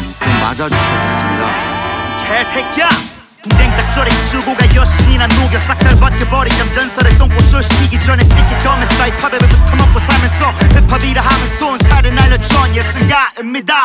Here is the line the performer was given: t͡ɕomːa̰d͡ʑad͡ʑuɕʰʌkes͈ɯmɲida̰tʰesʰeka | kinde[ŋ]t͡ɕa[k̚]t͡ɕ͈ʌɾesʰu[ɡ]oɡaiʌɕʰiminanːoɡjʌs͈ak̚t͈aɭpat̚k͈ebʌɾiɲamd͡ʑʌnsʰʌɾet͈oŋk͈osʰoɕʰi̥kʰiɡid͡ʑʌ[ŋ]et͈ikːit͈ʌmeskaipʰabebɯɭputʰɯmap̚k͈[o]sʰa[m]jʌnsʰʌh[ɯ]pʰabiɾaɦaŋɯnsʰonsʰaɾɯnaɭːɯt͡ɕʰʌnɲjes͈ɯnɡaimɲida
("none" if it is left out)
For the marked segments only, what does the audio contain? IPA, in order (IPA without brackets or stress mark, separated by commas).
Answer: ŋ, k̚, ɡ, n, o, m, ɯ